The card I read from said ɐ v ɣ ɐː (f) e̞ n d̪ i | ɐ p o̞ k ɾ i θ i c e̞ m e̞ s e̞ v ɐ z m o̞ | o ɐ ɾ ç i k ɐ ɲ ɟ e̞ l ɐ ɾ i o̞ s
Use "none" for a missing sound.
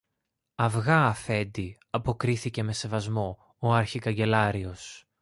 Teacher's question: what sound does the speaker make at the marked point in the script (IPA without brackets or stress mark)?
f